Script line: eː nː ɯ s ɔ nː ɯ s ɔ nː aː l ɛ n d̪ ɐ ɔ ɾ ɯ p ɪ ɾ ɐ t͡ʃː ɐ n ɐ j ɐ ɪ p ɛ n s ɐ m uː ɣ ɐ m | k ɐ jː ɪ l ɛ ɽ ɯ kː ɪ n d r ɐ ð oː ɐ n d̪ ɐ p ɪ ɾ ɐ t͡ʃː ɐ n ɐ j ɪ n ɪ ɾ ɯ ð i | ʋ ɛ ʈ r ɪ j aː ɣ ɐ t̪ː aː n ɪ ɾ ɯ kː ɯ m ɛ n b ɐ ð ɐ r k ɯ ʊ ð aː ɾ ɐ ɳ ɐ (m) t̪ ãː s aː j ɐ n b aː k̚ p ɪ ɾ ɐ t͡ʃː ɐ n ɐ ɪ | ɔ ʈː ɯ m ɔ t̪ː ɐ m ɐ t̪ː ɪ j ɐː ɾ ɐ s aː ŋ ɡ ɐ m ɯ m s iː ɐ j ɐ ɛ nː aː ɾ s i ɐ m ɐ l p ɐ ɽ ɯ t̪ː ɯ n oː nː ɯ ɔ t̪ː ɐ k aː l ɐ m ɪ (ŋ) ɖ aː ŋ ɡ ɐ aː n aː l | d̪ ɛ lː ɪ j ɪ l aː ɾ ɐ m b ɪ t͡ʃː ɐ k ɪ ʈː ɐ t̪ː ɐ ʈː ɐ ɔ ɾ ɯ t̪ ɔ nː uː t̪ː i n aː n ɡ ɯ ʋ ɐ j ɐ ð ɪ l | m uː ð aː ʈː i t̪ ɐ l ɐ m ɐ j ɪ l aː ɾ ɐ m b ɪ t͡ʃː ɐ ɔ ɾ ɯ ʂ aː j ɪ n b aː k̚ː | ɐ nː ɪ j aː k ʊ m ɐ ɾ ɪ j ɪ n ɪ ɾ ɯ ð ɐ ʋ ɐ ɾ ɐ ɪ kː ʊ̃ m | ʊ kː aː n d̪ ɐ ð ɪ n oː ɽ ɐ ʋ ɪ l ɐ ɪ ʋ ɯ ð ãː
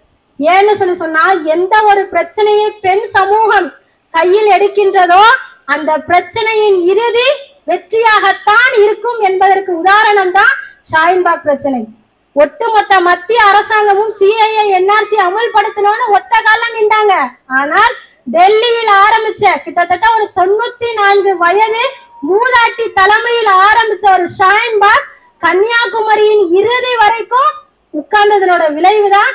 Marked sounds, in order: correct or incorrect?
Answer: correct, incorrect

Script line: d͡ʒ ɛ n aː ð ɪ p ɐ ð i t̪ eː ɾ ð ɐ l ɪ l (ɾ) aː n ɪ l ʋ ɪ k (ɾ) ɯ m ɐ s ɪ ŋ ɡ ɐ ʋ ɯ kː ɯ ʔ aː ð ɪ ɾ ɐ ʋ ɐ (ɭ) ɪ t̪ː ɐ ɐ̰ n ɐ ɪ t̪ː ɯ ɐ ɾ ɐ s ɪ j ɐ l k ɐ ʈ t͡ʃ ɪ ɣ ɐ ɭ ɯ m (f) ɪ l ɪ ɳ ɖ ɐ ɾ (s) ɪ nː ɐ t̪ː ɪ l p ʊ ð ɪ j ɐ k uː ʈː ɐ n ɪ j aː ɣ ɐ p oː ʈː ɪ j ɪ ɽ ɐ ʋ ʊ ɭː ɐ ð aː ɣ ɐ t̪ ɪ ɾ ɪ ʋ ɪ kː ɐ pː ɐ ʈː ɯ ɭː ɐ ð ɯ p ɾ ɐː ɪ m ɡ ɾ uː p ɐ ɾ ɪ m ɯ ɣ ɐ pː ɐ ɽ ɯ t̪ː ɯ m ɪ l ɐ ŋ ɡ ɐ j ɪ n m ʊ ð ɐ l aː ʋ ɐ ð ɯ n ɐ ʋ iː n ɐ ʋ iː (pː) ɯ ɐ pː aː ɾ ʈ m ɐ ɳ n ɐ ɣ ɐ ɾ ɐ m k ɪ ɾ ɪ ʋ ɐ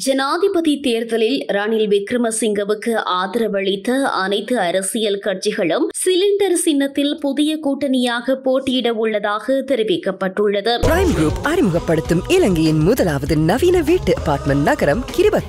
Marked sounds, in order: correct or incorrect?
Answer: correct, correct, correct, incorrect, correct, incorrect

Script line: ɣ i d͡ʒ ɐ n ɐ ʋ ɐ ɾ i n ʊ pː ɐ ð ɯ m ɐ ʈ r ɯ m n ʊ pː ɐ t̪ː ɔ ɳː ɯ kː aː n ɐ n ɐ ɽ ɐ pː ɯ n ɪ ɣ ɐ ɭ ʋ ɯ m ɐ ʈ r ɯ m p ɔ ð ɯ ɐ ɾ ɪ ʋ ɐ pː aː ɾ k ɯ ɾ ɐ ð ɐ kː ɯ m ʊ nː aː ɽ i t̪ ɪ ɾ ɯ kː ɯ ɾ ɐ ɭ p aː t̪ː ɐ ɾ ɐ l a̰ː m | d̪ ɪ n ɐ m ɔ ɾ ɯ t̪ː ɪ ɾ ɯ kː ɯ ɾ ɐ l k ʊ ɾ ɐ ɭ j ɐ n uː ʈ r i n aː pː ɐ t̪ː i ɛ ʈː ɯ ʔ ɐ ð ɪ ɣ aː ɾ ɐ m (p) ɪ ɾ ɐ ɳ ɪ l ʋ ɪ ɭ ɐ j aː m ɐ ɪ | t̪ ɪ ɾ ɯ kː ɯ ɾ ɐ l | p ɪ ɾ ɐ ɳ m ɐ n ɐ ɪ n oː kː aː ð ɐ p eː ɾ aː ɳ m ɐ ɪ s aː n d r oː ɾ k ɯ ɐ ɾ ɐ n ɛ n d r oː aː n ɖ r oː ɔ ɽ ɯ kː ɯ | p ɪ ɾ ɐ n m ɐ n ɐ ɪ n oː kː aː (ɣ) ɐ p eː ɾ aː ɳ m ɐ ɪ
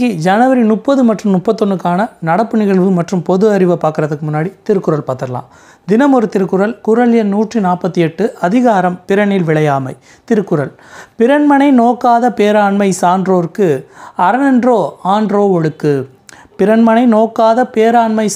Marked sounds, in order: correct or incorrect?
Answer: correct, incorrect

